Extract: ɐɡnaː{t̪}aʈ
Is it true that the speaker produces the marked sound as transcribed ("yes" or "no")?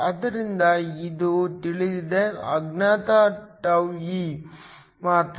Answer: yes